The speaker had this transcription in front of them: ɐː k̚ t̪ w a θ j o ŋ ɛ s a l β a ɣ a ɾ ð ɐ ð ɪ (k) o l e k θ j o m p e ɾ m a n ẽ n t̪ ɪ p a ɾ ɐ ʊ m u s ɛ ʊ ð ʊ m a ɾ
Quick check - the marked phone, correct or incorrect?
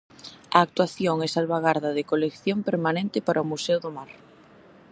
correct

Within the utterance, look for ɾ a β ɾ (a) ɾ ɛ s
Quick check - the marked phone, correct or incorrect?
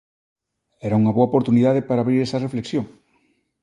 incorrect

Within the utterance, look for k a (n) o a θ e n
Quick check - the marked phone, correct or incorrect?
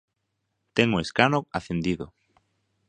correct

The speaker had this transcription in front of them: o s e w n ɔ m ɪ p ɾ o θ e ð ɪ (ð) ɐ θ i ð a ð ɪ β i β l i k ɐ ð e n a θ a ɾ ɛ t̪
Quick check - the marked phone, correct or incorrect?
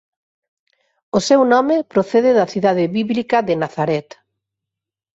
correct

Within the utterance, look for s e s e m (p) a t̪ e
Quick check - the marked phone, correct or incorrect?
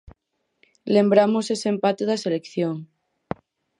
correct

